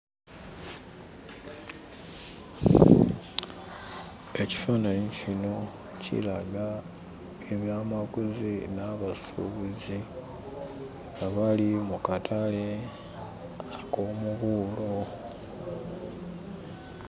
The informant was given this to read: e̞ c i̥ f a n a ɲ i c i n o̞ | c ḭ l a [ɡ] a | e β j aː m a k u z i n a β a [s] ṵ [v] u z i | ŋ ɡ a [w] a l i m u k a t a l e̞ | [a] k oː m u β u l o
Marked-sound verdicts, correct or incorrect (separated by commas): correct, correct, incorrect, incorrect, correct